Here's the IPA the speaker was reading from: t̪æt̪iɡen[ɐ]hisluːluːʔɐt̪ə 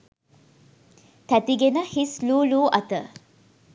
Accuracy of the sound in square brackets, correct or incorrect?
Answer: incorrect